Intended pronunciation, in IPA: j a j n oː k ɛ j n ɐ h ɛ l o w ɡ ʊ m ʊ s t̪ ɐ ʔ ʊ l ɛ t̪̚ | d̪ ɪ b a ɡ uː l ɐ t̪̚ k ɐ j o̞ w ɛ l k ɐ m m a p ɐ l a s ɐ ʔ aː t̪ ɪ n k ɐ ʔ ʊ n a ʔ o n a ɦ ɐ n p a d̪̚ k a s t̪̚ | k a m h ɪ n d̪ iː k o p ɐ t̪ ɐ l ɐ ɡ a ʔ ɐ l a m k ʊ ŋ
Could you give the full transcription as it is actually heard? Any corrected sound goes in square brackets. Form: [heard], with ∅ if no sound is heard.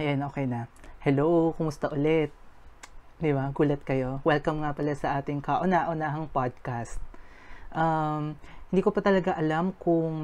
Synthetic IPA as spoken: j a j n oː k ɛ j n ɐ h ɛ l o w [k] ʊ m ʊ s t̪ ɐ ʔ ʊ l ɛ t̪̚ | d̪ ɪ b a ɡ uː l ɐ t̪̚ k ɐ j o̞ w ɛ l k ɐ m [ŋ] a p ɐ l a s ɐ ʔ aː t̪ ɪ [ŋ] k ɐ ʔ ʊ n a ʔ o n a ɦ ɐ [ŋ] p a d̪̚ k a s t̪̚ | [ʔ] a m h ɪ n d̪ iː k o p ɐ t̪ ɐ l ɐ ɡ a ʔ ɐ l a m k ʊ ŋ